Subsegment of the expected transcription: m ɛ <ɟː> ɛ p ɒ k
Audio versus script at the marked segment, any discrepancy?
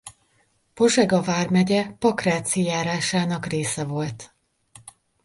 yes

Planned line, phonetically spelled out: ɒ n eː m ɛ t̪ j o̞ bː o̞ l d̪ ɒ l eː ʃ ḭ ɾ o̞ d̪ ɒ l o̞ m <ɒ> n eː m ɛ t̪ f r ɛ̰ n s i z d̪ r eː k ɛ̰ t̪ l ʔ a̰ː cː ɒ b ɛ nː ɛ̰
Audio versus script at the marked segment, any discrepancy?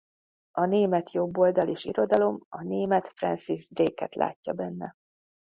no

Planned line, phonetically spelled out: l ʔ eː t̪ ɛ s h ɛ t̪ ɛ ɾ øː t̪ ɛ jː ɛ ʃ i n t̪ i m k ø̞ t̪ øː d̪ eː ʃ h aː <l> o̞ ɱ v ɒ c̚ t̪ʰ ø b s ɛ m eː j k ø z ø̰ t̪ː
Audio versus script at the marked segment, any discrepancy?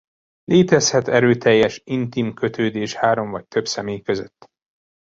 yes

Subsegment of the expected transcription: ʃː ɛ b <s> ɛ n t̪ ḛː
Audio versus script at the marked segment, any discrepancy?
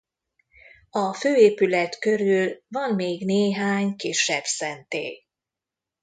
no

